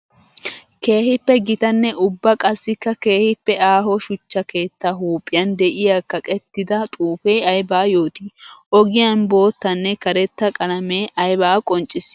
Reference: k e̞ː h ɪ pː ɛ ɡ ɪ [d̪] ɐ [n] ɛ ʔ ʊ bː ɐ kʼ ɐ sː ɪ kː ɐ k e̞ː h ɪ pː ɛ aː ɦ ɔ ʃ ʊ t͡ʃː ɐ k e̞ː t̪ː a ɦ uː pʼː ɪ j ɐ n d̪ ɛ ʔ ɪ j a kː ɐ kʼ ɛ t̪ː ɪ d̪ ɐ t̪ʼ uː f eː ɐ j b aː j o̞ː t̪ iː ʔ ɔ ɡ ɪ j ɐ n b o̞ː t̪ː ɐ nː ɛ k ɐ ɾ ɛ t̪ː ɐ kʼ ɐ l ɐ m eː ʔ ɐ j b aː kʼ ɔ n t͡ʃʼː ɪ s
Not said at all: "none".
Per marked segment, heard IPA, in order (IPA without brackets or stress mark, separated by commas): t̪, nː